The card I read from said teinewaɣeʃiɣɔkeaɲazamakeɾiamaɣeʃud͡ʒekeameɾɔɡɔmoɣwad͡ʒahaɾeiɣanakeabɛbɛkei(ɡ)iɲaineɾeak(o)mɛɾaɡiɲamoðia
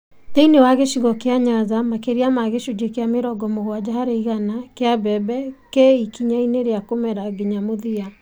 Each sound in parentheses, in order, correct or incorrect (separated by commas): incorrect, correct